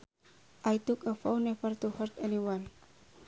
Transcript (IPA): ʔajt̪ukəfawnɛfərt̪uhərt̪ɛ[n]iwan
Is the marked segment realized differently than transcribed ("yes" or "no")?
no